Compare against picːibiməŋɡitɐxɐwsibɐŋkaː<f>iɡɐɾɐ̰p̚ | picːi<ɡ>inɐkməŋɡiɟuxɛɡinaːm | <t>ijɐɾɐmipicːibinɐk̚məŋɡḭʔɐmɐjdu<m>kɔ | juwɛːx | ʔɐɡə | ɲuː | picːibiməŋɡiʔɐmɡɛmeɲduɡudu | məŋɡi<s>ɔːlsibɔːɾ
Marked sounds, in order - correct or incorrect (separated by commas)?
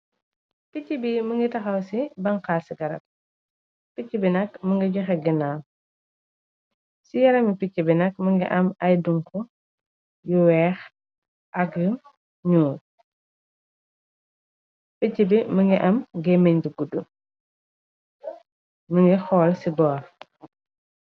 incorrect, incorrect, incorrect, incorrect, incorrect